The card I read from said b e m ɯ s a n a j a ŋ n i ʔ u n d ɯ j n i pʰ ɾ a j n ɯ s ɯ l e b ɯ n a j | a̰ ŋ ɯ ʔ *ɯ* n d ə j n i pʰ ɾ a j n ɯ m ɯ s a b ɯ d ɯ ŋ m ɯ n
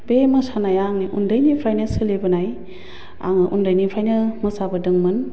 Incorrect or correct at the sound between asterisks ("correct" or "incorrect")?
incorrect